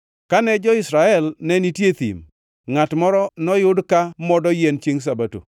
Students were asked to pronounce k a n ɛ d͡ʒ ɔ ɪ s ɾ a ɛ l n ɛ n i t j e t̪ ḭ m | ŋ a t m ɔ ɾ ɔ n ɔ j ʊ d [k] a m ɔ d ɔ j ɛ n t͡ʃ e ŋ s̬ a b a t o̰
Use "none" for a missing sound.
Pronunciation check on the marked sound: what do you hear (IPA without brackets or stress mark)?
k